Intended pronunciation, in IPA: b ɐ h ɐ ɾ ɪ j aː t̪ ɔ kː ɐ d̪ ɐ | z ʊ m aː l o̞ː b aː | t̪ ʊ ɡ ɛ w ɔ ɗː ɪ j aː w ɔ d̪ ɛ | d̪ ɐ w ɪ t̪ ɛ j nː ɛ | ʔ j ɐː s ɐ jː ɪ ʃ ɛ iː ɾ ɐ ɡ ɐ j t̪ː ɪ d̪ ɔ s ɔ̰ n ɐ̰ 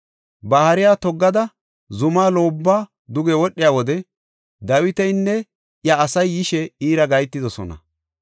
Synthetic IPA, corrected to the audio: b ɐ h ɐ ɾ ɪ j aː t̪ ɔ ɡː ɐ d̪ ɐ | z ʊ m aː l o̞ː bː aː | d̪ ʊ ɡ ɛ w ɔ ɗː ɪ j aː w ɔ d̪ ɛ | d̪ ɐ w ɪ t̪ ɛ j nː ɛ | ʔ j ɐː s ɐ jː ɪ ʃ ɛ iː ɾ ɐ ɡ ɐ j t̪ː ɪ d̪ ɔ s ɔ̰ n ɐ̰